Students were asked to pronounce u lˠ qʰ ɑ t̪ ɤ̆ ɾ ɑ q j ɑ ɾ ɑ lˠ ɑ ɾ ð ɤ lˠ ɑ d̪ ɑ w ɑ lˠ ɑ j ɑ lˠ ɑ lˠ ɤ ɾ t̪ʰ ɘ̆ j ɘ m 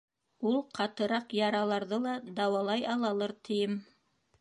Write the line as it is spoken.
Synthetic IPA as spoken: u lˠ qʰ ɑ t̪ ɤ̆ ɾ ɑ q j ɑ ɾ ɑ lˠ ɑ ɾ ð ɤ lˠ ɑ d̪ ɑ w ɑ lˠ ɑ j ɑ lˠ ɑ lˠ ɤ ɾ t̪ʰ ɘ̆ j ɘ m